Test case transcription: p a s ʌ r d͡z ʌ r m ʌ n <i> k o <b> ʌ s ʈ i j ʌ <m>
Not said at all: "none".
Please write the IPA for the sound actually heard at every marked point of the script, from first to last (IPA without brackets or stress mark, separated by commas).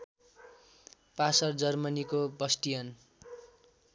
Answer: i, b, n